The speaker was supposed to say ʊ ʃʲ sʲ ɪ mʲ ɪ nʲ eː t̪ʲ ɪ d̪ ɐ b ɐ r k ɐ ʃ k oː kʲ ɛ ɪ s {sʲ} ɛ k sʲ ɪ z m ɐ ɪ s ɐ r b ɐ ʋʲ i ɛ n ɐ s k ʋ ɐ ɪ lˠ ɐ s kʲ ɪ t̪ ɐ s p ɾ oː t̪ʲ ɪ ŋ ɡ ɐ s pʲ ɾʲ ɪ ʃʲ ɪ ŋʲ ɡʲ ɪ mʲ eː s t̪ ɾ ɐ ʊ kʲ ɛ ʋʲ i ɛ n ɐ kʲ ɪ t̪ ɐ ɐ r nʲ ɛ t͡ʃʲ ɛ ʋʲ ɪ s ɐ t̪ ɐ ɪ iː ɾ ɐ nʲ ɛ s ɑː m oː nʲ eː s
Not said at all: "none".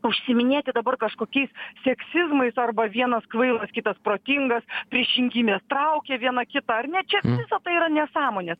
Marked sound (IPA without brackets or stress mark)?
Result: sʲ